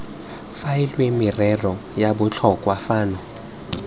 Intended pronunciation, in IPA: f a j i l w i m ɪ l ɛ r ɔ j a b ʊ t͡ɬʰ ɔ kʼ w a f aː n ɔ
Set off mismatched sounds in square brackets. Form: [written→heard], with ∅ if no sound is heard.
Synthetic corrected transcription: f a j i l w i m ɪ [l→r] ɛ r ɔ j a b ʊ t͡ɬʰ ɔ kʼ w a f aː n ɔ